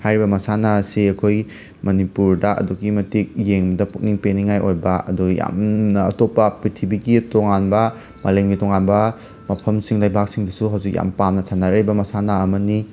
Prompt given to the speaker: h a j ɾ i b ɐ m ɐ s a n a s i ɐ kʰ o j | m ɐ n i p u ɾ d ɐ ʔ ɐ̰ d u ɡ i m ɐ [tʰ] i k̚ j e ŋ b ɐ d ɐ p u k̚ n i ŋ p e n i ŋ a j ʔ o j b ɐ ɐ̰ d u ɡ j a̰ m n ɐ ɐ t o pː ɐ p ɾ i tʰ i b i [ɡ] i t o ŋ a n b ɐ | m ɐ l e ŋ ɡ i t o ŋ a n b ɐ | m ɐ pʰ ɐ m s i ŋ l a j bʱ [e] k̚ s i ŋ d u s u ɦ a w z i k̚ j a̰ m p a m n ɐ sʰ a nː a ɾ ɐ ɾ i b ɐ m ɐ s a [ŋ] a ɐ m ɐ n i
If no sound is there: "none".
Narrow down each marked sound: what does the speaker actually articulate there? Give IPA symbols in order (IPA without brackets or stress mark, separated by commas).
t, ɡ, a, n